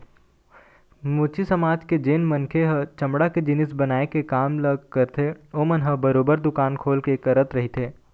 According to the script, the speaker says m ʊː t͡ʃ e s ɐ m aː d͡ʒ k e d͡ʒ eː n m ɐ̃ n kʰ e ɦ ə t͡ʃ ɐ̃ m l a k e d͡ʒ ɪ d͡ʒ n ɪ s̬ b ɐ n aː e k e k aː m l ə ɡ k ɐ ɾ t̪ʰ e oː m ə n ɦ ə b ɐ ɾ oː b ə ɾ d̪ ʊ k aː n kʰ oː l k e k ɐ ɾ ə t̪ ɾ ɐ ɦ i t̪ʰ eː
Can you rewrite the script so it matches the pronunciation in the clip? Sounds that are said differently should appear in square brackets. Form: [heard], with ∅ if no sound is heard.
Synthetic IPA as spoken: m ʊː t͡ʃ [i] s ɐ m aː d͡ʒ k e d͡ʒ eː n m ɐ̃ n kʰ e ɦ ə t͡ʃ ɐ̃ m [ɽ] a k e d͡ʒ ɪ [∅] n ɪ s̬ b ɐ n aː e k e k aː m l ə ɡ k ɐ ɾ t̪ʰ e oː m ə n ɦ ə b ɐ ɾ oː b ə ɾ d̪ ʊ k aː n kʰ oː l k e k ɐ ɾ ə t̪ ɾ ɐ ɦ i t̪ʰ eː